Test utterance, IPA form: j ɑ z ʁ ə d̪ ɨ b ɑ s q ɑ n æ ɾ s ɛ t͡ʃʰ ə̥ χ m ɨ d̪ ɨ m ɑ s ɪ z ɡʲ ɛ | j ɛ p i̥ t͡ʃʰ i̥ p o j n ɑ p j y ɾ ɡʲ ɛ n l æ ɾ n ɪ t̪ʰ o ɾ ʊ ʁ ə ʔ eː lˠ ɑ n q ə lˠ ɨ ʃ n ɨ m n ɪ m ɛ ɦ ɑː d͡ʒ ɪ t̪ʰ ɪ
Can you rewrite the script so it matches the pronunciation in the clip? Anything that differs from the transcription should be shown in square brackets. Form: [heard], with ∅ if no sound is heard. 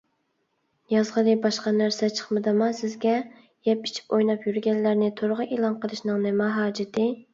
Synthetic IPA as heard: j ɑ z ʁ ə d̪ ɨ b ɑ [ʃ] q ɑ n æ ɾ s ɛ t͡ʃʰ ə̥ χ m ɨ d̪ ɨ m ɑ s ɪ z ɡʲ ɛ | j ɛ p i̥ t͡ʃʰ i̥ p o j n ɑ p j y ɾ ɡʲ ɛ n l æ ɾ n ɪ t̪ʰ o ɾ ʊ ʁ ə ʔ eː lˠ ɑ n q ə lˠ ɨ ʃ n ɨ [ŋ] n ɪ m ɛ ɦ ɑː d͡ʒ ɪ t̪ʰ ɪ